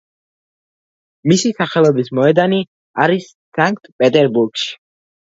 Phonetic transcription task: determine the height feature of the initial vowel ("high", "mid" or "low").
high